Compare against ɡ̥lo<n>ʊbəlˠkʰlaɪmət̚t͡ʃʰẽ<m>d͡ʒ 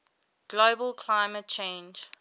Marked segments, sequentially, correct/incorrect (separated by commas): incorrect, incorrect